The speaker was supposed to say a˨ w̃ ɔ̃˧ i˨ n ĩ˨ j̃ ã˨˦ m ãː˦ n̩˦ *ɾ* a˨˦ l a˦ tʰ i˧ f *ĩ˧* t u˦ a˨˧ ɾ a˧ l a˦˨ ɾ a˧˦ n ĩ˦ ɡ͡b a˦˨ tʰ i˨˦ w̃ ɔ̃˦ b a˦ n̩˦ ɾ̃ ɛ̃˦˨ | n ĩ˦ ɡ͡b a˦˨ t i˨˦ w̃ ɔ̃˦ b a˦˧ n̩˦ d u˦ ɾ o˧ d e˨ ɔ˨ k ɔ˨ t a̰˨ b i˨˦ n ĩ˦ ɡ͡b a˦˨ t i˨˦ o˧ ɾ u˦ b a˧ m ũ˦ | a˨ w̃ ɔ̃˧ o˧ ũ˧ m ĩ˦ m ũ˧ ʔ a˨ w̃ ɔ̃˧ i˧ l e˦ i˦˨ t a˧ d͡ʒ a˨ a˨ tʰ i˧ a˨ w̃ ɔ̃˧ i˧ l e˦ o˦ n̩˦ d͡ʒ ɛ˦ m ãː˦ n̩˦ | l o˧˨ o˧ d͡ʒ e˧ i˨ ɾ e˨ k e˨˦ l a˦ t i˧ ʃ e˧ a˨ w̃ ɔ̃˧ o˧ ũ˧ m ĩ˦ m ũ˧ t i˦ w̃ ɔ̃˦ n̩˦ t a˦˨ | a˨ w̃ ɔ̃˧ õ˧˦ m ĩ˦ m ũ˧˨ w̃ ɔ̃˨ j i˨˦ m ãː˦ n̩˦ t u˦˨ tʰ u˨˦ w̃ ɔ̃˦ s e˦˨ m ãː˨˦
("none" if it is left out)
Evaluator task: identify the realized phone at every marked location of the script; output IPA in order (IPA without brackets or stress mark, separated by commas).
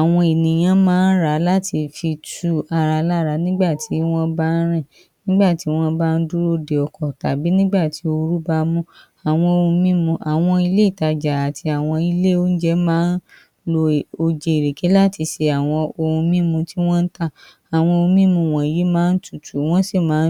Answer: ɾ, i˧